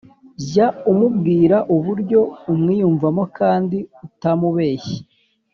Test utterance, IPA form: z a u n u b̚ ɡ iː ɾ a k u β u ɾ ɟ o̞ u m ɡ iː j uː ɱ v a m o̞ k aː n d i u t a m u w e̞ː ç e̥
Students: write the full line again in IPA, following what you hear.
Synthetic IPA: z a u m u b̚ ɡ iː ɾ a ʔ u β u ɾ ɟ o̞ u m ŋ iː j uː ɱ v a m o̞ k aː n d i u t a m u β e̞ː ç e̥